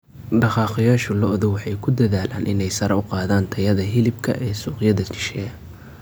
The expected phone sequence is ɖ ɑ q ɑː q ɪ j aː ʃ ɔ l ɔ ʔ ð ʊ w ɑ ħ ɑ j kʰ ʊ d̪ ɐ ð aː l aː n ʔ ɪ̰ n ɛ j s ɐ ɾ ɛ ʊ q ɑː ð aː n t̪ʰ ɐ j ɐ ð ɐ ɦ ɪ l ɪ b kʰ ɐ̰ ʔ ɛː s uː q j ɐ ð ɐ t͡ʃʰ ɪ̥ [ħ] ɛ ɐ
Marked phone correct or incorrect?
incorrect: ʃ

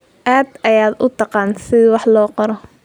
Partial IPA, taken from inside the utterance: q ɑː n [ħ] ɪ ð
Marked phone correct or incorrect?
incorrect: s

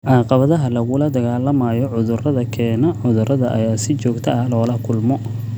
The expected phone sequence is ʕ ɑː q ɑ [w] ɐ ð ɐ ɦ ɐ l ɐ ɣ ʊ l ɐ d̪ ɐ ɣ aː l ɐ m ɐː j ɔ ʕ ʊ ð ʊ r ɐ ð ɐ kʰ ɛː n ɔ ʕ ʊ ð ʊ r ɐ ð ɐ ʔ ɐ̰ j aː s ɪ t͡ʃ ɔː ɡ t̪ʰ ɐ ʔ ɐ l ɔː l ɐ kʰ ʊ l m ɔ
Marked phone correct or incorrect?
incorrect: β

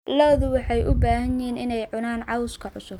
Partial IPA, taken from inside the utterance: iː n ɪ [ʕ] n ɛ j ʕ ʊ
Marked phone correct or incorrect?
incorrect: none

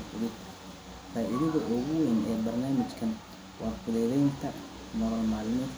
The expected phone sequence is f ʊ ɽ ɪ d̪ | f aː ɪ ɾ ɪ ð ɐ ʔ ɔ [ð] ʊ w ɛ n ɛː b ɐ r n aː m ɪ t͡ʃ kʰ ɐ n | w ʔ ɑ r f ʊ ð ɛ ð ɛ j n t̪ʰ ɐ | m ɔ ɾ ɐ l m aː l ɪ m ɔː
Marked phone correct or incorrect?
incorrect: ɣ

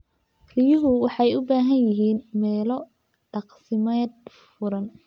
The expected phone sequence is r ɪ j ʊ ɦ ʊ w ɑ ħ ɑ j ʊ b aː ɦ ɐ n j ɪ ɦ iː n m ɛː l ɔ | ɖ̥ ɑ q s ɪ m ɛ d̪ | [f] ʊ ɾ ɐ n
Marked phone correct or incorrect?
correct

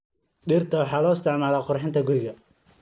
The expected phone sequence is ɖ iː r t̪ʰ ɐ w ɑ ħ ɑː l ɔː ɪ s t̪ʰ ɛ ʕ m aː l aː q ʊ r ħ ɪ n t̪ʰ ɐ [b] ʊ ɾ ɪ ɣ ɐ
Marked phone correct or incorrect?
incorrect: ɡ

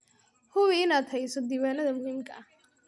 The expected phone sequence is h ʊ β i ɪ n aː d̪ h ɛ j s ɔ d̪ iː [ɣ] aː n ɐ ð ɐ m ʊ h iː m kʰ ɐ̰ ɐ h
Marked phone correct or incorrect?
incorrect: w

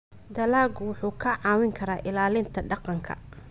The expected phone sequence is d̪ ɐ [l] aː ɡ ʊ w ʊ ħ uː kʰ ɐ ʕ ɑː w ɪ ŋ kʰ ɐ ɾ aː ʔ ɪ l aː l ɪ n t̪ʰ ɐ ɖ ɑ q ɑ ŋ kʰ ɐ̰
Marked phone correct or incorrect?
correct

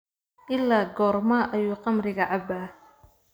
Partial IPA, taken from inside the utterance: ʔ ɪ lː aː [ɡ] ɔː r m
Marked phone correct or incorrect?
correct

